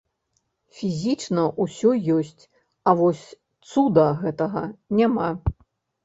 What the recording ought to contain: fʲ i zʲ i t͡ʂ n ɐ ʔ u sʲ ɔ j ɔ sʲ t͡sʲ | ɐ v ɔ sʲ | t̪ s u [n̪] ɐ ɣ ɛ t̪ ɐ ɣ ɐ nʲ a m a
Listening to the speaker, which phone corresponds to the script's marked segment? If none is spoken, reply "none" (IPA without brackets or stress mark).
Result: d̪